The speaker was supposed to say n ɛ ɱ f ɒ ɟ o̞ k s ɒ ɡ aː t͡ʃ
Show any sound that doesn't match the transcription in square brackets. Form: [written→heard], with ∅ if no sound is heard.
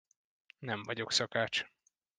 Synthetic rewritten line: n ɛ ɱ [f→v] ɒ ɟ o̞ k s ɒ [ɡ→k] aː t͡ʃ